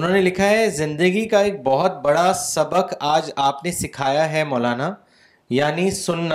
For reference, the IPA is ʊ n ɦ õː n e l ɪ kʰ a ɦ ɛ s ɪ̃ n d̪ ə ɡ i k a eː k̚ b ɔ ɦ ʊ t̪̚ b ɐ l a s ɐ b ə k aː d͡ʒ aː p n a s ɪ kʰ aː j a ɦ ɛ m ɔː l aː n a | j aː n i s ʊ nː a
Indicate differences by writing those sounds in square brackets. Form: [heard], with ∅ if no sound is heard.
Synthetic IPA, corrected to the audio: ʊ n ɦ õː n e l ɪ kʰ a ɦ ɛ [z] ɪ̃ n d̪ ə ɡ i k a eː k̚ b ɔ ɦ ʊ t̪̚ b ɐ [ɽ] a s ɐ b ə k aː d͡ʒ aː p n [e] s ɪ kʰ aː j a ɦ ɛ m ɔː l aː n a | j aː n i s ʊ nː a